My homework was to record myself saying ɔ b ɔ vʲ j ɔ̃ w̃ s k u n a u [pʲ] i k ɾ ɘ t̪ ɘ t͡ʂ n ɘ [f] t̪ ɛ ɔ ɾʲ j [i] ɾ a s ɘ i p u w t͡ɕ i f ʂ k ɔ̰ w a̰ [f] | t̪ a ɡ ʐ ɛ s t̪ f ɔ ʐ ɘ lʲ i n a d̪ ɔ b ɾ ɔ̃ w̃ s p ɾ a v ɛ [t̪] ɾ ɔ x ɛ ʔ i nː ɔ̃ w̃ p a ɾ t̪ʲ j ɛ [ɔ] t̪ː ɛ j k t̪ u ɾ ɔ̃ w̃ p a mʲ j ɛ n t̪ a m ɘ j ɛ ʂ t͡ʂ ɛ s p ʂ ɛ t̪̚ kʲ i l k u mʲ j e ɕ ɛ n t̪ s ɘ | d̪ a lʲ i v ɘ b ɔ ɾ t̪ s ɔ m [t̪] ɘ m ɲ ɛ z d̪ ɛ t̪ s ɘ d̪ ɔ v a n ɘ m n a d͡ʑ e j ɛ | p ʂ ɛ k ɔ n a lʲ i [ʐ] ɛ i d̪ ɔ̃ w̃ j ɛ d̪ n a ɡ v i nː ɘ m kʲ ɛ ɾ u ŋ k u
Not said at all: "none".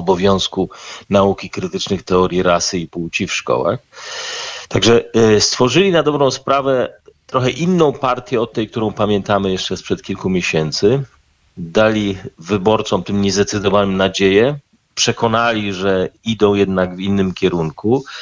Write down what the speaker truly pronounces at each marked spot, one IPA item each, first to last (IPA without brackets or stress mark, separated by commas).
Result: kʲ, x, i, x, t̪, ɔ, t̪, ʐ